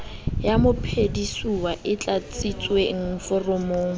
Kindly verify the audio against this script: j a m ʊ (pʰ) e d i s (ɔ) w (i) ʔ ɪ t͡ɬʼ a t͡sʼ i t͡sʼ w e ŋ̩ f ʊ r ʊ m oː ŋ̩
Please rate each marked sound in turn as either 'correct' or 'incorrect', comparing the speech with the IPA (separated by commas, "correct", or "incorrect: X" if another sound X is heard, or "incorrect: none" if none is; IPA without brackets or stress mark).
correct, incorrect: u, incorrect: a